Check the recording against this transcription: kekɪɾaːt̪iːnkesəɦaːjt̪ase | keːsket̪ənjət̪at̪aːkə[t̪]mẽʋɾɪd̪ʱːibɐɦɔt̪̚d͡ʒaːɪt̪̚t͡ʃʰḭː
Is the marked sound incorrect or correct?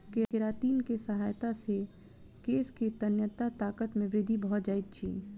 correct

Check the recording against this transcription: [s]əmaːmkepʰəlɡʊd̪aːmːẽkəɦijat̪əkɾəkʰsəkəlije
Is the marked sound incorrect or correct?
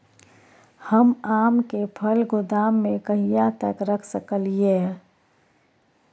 incorrect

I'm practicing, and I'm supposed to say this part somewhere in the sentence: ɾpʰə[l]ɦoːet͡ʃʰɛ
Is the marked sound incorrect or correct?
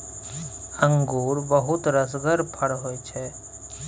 incorrect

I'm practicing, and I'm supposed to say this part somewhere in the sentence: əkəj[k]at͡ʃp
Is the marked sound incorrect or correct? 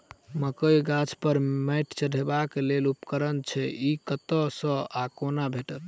incorrect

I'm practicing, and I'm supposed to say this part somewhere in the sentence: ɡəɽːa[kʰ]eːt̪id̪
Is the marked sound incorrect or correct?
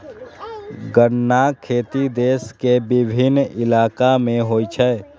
correct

